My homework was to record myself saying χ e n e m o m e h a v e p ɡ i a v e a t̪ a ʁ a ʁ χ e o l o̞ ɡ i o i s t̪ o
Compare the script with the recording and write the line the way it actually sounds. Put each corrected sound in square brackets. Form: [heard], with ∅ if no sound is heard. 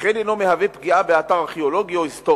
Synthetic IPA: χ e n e [n] o m e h a v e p ɡ i a [b] e a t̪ a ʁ a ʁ χ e o l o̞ ɡ i o i s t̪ o